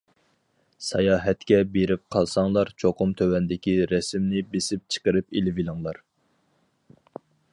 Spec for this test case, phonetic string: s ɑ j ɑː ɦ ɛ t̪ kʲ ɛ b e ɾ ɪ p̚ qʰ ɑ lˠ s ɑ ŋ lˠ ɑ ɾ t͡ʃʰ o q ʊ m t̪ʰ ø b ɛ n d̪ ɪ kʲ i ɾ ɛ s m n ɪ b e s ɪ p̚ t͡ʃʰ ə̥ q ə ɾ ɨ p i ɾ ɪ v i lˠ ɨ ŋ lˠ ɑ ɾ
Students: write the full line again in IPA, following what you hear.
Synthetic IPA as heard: s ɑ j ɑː ɦ ɛ t̪ kʲ ɛ b e ɾ ɪ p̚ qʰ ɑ lˠ s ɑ ŋ lˠ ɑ ɾ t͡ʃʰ o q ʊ m t̪ʰ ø w ɛ n d̪ ɪ kʲ i ɾ ɛ s m n ɪ b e s ɪ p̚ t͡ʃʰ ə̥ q ə ɾ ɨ p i l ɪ v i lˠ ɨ ŋ lˠ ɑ ɾ

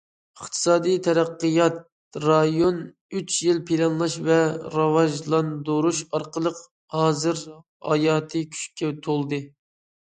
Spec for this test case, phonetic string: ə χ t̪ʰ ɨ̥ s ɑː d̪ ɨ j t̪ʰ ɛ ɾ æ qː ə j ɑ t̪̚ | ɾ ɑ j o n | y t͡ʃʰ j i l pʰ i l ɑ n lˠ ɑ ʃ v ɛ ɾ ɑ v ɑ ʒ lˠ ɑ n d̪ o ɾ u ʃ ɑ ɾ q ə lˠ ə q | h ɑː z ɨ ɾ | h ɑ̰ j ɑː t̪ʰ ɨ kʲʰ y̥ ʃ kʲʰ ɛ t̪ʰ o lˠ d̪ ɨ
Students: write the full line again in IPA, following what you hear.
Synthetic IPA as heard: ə χ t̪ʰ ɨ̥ s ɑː d̪ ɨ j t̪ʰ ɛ ɾ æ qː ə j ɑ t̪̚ | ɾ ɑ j o n | y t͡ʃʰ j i l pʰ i l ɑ n lˠ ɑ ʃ v ɛ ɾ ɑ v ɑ ʒ lˠ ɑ n d̪ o ɾ u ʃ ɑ ɾ q ə lˠ ə q | h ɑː z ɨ ɾ | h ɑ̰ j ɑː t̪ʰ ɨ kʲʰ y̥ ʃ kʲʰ ɛ t̪ʰ o lˠ d̪ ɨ

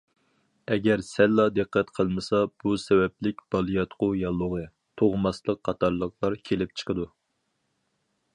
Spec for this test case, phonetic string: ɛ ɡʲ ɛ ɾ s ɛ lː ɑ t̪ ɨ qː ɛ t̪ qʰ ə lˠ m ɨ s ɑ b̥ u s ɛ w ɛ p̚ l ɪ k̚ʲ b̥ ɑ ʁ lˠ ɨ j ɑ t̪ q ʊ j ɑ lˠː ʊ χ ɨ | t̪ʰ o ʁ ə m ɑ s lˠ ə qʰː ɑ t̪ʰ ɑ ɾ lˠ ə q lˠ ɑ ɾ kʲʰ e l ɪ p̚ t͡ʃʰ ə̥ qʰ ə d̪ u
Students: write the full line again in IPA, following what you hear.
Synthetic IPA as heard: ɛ ɡʲ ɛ ɾ s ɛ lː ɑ d̪ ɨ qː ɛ t̪ qʰ ə lˠ m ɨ s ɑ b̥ u s ɛ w ɛ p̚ l ɪ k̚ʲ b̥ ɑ lˠ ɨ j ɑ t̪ q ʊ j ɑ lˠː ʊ ʁ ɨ | t̪ʰ o ʁ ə m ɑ s lˠ ə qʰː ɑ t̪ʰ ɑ ɾ lˠ ə q lˠ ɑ ɾ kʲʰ e l ɪ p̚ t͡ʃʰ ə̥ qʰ ə d̪ u

